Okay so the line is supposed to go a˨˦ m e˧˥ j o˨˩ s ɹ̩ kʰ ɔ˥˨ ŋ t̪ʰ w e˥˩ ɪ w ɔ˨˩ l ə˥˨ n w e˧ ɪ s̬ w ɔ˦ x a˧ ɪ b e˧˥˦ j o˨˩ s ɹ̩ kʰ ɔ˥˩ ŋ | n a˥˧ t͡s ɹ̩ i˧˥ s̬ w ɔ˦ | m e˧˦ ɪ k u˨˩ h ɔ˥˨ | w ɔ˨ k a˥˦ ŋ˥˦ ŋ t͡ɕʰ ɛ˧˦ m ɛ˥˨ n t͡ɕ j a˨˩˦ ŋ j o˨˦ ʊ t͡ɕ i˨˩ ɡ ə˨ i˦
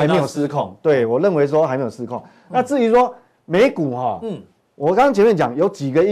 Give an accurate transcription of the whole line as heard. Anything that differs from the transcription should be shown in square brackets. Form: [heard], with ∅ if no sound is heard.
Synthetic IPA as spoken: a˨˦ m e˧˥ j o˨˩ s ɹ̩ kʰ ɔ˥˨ ŋ [t̪] w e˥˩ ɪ w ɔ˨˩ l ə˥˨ n w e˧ ɪ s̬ w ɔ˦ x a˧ ɪ [m] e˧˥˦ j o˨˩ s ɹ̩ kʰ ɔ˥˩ ŋ | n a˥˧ t͡s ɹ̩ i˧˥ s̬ w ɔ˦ | m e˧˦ ɪ k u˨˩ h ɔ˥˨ | w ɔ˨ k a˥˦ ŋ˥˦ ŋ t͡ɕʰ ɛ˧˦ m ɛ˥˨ n t͡ɕ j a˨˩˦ ŋ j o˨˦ ʊ t͡ɕ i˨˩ ɡ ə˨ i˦